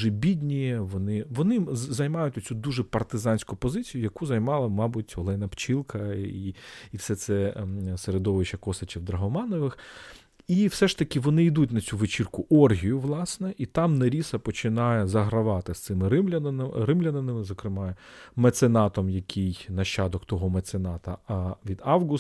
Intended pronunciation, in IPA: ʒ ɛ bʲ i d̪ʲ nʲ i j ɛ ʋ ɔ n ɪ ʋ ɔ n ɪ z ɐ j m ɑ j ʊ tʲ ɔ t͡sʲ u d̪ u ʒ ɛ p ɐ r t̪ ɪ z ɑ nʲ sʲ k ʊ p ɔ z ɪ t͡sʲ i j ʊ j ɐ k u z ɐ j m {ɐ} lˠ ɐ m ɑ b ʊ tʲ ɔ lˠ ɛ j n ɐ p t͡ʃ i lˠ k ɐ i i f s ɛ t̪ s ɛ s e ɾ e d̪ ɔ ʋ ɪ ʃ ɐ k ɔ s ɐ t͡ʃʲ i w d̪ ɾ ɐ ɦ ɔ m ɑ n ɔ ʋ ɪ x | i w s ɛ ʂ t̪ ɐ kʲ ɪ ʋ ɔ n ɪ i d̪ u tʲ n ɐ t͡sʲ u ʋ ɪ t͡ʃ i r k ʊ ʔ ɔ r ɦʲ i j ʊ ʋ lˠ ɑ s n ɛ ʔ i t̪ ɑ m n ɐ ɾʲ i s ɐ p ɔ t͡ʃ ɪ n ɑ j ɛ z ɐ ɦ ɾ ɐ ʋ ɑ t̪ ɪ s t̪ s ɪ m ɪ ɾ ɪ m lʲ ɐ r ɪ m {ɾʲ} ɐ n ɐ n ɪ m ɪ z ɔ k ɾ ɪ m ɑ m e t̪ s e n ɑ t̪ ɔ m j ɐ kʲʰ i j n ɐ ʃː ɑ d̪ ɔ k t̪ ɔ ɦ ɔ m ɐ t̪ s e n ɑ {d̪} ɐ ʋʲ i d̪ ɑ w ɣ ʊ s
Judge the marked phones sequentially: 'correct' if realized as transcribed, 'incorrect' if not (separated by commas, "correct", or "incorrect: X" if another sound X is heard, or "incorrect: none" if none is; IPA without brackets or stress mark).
incorrect: ɑ, incorrect: lʲ, incorrect: t̪